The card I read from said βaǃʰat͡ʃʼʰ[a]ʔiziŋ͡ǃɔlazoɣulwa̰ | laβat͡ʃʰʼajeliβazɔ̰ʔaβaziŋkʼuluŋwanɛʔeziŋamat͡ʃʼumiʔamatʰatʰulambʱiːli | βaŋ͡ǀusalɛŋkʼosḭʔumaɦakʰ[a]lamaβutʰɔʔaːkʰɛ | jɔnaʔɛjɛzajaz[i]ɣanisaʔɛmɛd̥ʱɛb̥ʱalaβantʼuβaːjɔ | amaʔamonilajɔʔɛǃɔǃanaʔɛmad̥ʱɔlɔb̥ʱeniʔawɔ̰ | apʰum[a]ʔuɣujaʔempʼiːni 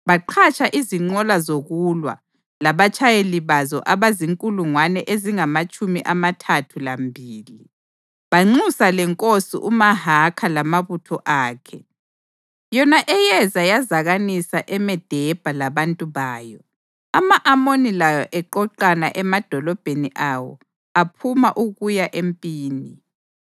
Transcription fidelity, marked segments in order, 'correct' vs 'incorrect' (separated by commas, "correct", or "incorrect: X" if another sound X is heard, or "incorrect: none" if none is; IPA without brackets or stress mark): correct, correct, incorrect: a, correct